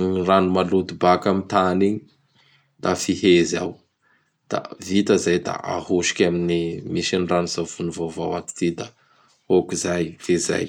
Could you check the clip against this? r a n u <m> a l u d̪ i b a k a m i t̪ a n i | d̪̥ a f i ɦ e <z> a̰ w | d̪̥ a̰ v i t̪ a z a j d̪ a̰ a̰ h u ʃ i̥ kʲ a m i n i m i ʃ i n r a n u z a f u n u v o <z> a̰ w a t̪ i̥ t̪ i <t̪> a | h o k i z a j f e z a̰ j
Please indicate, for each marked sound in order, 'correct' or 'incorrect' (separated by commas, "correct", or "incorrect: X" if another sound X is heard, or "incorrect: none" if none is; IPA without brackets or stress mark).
correct, correct, incorrect: v, incorrect: d̪